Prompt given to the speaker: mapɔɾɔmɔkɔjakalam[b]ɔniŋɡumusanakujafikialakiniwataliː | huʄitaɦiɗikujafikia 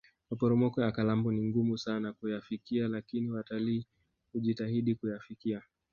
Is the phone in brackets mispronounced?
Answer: no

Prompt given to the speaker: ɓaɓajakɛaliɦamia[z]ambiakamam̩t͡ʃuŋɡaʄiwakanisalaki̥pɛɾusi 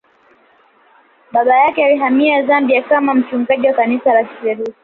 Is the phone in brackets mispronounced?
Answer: no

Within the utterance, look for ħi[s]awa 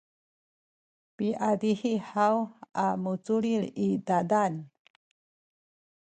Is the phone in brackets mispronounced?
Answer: yes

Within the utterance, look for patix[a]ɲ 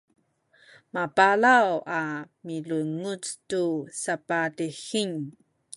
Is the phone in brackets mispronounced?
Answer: yes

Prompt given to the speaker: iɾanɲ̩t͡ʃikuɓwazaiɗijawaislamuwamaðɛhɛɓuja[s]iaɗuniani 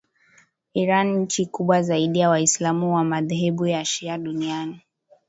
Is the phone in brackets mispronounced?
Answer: yes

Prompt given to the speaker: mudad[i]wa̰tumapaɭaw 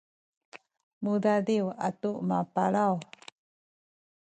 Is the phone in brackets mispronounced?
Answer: no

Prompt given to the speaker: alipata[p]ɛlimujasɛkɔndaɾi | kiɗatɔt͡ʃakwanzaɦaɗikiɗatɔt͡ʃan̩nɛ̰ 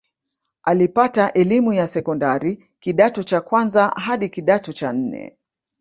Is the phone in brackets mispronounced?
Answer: yes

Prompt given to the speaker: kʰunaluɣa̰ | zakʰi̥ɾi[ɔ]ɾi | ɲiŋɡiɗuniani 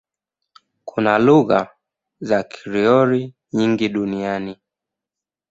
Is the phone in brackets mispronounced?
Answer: no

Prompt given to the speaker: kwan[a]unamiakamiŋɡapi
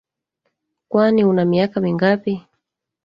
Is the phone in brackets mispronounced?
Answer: yes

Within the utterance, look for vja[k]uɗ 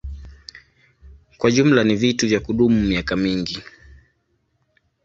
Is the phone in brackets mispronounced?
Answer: no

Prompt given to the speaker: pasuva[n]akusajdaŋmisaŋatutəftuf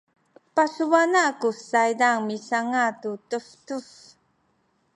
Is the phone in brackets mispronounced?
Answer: no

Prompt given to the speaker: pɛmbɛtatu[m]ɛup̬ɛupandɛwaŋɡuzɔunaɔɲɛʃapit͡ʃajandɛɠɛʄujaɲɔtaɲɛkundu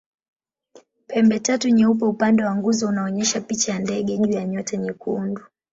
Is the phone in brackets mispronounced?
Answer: yes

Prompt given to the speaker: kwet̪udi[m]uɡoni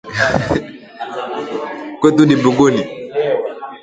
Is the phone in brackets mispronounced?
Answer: yes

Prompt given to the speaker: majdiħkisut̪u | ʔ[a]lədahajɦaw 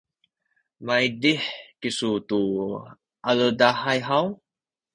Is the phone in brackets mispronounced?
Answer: no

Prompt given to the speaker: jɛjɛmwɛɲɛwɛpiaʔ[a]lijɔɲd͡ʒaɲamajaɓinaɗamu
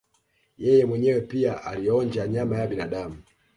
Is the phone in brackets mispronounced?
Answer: no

